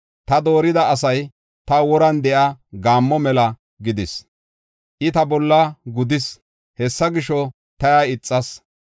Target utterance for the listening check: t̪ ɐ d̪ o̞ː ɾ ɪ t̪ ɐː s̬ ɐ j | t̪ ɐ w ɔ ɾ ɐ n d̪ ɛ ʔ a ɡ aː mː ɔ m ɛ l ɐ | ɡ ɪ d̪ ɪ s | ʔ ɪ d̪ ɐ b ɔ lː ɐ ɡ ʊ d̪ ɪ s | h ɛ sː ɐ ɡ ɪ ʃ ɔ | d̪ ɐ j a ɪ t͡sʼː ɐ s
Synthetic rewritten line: t̪ ɐ d̪ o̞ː ɾ ɪ d̪ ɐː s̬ ɐ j | t̪ ɐ w ɔ ɾ ɐ n d̪ ɛ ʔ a ɡ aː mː ɔ m ɛ l ɐ | ɡ ɪ d̪ ɪ s | ʔ ɪ t̪ ɐ b ɔ lː ɐ ɡ ʊ d̪ ɪ s | h ɛ sː ɐ ɡ ɪ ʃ ɔ | t̪ ɐ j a ɪ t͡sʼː ɐ s